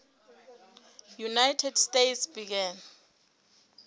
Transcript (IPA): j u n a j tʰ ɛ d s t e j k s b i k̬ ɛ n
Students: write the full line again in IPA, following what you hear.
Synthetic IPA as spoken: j u n a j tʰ ɛ d s t e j t s b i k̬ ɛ n